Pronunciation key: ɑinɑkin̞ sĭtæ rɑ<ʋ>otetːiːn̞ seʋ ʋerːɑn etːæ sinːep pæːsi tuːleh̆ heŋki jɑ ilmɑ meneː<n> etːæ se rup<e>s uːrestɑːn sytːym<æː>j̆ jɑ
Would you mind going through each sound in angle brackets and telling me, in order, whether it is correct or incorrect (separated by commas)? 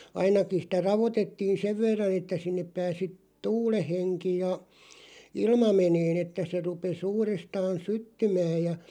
correct, correct, correct, correct